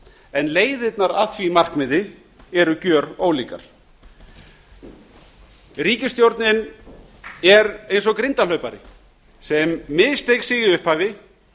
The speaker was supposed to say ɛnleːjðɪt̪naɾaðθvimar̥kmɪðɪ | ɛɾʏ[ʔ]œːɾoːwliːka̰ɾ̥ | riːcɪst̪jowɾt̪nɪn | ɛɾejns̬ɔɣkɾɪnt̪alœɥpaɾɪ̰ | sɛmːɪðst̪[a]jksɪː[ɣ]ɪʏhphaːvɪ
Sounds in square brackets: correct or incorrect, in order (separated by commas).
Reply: incorrect, incorrect, correct